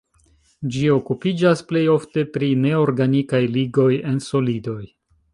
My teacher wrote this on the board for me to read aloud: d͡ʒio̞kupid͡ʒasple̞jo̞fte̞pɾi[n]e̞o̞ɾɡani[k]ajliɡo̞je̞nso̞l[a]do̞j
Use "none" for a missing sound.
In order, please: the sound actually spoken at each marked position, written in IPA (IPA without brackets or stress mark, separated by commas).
n, k, i